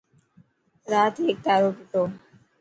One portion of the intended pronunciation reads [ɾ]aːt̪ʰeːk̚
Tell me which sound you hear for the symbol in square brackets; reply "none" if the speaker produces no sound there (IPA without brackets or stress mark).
ɾ